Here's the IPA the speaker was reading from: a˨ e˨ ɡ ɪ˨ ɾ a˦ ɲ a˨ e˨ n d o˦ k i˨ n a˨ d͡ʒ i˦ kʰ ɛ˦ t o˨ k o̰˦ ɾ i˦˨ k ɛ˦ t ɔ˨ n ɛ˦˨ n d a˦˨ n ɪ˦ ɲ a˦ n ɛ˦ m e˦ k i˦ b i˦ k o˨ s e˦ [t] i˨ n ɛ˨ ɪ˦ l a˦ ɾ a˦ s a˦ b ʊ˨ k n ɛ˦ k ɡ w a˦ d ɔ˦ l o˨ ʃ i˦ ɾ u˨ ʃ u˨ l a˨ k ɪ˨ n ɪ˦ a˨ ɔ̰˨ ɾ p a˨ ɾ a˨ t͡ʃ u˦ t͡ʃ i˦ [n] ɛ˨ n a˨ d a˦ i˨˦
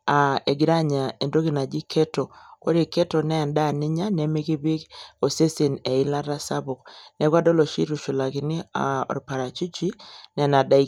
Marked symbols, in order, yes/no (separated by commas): no, yes